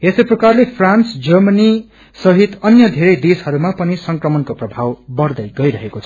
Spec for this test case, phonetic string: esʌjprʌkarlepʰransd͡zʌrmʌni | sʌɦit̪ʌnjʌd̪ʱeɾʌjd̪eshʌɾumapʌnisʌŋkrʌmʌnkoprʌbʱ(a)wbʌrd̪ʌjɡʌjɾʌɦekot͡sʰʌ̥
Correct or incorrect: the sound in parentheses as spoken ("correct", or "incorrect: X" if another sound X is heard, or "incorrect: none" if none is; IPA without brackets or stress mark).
correct